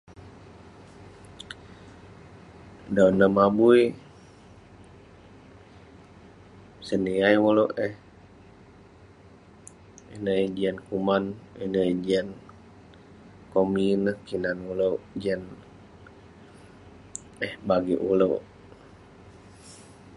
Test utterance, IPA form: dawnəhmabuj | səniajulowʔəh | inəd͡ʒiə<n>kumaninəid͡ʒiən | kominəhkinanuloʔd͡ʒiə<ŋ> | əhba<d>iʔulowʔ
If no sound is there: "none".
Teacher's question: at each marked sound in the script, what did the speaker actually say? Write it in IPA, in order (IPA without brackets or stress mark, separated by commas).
n, n, ɡ